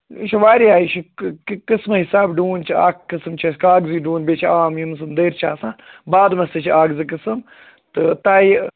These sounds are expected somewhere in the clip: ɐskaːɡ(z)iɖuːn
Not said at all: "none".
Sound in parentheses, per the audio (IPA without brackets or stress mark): z